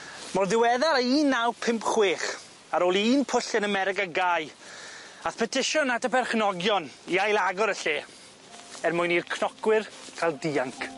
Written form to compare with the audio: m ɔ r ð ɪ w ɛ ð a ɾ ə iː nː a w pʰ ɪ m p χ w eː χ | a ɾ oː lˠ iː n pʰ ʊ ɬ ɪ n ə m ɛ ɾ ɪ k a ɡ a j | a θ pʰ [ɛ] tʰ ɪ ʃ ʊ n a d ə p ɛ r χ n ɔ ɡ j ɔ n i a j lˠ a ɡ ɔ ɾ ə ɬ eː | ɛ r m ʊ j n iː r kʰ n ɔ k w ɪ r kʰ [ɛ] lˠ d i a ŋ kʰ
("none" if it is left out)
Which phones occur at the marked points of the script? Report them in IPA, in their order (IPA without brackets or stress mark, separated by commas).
ɛ, a